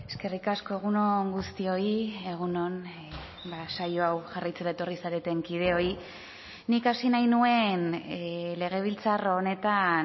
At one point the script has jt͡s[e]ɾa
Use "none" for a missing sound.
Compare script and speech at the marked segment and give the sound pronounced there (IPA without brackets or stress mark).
e